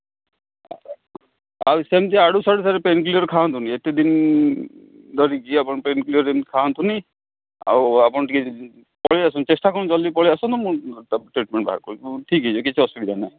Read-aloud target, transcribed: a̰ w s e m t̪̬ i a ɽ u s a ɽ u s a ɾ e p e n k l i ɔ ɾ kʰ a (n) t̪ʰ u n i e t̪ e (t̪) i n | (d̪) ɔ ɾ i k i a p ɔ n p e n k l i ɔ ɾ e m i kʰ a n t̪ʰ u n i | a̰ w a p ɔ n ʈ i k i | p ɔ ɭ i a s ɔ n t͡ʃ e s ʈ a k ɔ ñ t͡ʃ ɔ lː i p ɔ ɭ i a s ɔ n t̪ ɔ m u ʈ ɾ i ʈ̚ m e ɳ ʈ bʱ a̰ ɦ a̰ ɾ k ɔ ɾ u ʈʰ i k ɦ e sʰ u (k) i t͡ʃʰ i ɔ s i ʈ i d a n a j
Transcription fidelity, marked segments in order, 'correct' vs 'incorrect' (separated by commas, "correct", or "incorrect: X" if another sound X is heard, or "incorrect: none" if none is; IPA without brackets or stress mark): correct, incorrect: d̪, correct, correct